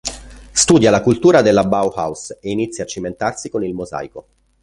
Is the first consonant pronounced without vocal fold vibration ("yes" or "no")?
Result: yes